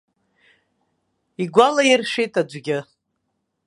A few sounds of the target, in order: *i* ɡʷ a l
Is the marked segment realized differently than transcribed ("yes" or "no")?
no